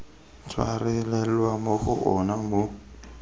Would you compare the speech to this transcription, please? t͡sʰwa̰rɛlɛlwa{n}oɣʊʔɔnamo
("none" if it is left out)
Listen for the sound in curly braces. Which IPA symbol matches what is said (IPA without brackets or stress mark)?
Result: m